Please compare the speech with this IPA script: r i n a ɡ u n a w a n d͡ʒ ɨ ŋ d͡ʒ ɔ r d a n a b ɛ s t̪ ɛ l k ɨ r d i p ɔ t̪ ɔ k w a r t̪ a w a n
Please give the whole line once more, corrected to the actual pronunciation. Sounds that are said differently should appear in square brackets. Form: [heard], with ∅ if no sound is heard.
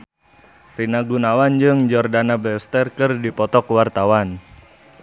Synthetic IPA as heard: r i n a ɡ u n a w a n d͡ʒ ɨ ŋ d͡ʒ ɔ r d a n a b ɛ s t̪ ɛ [r] k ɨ r d i p ɔ t̪ ɔ k w a r t̪ a w a n